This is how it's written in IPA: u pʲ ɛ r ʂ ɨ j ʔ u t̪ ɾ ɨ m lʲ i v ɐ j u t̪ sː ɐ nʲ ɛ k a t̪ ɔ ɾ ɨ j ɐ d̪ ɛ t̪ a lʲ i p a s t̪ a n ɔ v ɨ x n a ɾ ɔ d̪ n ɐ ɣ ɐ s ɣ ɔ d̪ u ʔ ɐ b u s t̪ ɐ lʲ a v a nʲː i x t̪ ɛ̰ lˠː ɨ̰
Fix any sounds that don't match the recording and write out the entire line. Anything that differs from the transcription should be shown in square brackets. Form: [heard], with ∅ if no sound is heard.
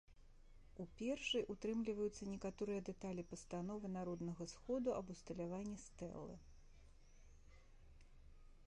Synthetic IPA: u pʲ ɛ r ʂ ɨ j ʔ u t̪ ɾ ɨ m lʲ i v ɐ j u t̪ sː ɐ nʲ ɛ k a t̪ ɔ ɾ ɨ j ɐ d̪ ɛ t̪ a lʲ i p [ɐ] s t̪ a n ɔ v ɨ [∅] n a ɾ ɔ d̪ n ɐ ɣ ɐ s [x] ɔ d̪ u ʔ ɐ b u s t̪ ɐ lʲ a v a nʲː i [s] t̪ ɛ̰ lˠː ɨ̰

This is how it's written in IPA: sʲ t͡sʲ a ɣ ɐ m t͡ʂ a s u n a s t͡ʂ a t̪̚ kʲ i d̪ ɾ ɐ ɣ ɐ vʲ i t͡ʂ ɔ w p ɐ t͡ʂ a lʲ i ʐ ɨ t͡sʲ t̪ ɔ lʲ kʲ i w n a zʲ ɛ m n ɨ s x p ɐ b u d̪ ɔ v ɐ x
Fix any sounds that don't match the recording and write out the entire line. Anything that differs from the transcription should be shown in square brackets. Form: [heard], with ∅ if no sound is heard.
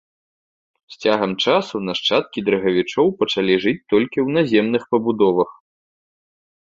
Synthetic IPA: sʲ t͡sʲ a ɣ ɐ m t͡ʂ a s u n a [ʂ] t͡ʂ a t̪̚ kʲ i d̪ ɾ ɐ ɣ ɐ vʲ i t͡ʂ ɔ w p ɐ t͡ʂ a lʲ i ʐ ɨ t͡sʲ t̪ ɔ lʲ kʲ i w n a zʲ ɛ m n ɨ [∅] x p ɐ b u d̪ ɔ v ɐ x

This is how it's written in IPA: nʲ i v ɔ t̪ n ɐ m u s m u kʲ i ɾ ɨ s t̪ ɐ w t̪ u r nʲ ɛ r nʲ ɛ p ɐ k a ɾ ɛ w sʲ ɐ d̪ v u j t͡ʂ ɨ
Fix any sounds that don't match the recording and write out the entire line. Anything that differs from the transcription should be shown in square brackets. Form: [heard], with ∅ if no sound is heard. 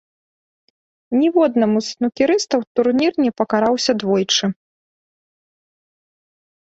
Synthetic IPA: nʲ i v ɔ [d̪] n ɐ m u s [n] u kʲ i ɾ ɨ s t̪ ɐ w t̪ u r nʲ [i] r nʲ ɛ p ɐ k a ɾ [a] w sʲ ɐ d̪ v [ɔ] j t͡ʂ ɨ

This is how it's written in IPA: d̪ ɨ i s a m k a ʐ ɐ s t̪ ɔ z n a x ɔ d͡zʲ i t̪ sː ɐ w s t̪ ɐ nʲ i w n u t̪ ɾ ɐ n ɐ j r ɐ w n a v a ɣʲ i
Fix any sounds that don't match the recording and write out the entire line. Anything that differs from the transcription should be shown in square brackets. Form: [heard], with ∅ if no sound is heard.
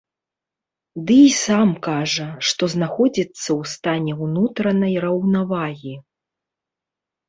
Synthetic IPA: d̪ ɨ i s a m k a ʐ ɐ [ʂ] t̪ ɔ z n a x ɔ d͡zʲ i t̪ sː ɐ w s t̪ [a] nʲ [ɛ] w n u t̪ ɾ ɐ n ɐ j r ɐ w n a v a ɣʲ i

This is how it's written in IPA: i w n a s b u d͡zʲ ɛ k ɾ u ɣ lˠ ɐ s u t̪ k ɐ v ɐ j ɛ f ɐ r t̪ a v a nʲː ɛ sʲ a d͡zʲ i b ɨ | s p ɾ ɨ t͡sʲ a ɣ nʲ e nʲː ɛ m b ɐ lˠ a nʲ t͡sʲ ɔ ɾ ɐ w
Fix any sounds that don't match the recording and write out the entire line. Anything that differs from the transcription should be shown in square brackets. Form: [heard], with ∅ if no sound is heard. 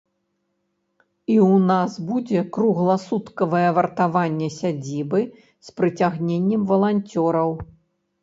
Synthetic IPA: i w n a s b u d͡zʲ ɛ k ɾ u ɣ lˠ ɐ s u t̪ k ɐ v ɐ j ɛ [v] ɐ r t̪ a v a nʲː ɛ sʲ a d͡zʲ i b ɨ | s p ɾ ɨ t͡sʲ a ɣ nʲ e nʲː ɛ m [v] ɐ lˠ a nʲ t͡sʲ ɔ ɾ ɐ w

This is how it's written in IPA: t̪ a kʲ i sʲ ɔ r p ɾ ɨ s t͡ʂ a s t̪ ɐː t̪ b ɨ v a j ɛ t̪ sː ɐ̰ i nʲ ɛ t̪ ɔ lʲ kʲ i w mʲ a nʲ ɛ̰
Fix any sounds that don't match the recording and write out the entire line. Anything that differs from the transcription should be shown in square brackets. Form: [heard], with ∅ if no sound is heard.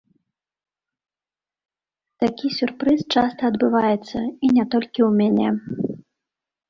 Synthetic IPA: t̪ a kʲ i sʲ [u] r p ɾ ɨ s t͡ʂ a s t̪ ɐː [d̪] b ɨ v a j ɛ t̪ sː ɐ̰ i nʲ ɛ t̪ ɔ lʲ kʲ i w mʲ a nʲ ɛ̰

